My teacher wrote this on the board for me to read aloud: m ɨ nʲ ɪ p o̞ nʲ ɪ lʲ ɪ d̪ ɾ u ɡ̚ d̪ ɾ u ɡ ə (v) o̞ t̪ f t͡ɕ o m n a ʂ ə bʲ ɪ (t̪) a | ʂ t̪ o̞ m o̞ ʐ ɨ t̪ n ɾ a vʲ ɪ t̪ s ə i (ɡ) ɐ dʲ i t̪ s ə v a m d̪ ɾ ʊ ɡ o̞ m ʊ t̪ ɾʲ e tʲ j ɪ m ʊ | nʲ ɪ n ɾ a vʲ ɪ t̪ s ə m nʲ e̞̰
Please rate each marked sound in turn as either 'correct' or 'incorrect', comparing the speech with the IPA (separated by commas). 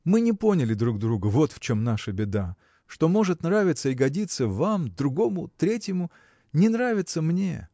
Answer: correct, incorrect, correct